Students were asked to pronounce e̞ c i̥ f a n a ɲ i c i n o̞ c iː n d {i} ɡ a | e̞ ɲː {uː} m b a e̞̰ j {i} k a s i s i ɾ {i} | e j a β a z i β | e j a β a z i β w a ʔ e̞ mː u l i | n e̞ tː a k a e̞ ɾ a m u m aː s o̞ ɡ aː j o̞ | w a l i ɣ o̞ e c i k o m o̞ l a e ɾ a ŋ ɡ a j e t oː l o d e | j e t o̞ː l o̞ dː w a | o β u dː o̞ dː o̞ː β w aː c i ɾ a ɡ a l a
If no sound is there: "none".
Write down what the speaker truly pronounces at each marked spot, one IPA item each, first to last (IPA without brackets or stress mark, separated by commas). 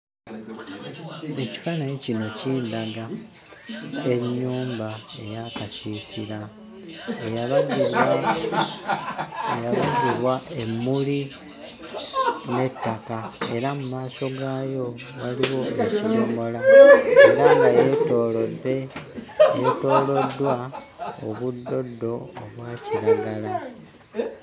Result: a, uː, a, a